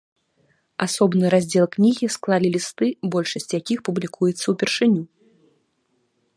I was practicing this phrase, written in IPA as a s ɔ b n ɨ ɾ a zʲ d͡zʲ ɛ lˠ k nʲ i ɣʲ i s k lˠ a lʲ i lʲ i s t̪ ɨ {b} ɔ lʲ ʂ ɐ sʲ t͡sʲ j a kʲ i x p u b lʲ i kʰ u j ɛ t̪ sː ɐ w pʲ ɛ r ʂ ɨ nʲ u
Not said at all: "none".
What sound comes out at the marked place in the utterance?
b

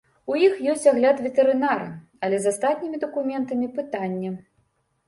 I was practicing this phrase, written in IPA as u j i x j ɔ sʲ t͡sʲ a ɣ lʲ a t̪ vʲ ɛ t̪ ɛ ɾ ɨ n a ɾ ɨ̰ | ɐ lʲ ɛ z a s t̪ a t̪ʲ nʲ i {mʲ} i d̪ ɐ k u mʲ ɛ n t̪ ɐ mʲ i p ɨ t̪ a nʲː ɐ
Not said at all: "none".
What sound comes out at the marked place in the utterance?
mʲ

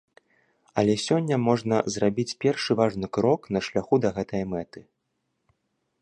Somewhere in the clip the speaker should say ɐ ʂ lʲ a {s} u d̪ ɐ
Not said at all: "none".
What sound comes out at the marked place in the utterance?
x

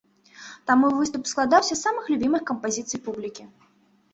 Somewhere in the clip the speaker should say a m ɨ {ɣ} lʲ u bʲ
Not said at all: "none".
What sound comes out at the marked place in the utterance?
x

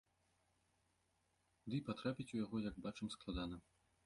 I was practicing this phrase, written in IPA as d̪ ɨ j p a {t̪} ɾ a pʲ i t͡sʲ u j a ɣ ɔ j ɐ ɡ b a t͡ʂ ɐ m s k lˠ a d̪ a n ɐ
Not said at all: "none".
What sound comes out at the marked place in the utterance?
t̪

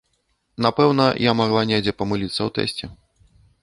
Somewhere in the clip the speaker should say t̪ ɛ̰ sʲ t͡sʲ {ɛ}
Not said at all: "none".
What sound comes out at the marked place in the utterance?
ɛ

